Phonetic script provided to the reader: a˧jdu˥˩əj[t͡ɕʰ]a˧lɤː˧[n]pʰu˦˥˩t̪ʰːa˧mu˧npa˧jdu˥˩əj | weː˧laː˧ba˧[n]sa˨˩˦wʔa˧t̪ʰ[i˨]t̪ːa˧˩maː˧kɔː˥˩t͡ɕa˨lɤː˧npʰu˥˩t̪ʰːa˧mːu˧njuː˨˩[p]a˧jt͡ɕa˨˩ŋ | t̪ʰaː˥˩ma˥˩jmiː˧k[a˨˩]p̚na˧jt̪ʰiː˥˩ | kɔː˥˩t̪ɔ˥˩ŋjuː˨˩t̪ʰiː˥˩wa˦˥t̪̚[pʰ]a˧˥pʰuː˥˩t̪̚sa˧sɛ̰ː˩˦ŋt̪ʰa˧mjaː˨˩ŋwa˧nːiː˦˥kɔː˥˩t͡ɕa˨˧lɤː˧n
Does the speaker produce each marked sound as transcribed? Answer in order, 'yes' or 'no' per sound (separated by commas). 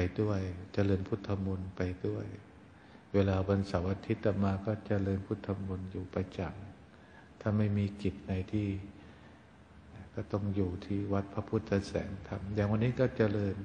no, yes, yes, no, yes, no, yes